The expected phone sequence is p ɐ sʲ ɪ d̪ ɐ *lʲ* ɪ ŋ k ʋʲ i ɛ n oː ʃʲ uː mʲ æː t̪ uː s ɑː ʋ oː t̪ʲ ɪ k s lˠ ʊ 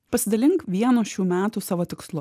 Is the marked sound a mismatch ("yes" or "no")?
no